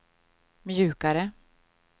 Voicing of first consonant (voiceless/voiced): voiced